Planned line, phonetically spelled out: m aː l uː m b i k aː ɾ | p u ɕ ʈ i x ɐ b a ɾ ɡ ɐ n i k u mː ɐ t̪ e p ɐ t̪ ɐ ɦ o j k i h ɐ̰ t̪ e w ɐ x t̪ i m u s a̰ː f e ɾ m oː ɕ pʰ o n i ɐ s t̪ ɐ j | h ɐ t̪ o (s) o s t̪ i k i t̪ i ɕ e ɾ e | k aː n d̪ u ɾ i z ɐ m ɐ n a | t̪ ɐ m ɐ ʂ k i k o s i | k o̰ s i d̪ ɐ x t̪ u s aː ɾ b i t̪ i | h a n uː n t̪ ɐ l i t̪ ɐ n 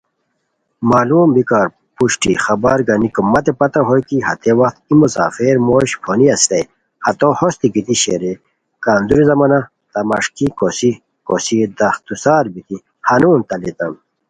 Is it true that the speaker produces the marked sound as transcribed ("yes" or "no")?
no